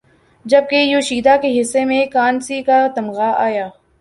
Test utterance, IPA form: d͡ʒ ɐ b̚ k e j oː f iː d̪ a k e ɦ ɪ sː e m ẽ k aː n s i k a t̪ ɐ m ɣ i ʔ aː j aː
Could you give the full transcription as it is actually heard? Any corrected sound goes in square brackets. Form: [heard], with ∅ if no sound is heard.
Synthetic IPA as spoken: d͡ʒ ɐ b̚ k e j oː [ʃ] iː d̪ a k e ɦ ɪ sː e m ẽ k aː n s i k a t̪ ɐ m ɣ [a] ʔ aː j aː